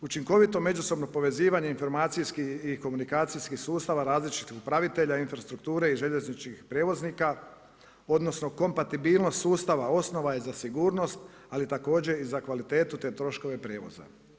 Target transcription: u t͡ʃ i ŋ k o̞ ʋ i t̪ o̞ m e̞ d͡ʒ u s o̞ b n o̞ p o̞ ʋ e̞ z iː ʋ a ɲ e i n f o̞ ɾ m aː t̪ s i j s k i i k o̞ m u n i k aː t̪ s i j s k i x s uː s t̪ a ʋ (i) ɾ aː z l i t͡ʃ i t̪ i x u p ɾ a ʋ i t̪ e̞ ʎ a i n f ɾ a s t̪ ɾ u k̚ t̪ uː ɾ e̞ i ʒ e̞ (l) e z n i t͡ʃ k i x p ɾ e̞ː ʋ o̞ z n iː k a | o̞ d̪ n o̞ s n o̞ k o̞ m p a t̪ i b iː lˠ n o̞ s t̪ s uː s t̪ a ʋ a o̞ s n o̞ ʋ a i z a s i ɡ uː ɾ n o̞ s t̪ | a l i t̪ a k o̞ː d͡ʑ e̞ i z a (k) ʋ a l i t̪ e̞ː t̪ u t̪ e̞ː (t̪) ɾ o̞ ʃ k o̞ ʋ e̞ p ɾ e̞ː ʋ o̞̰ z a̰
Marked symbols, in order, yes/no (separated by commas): no, no, yes, yes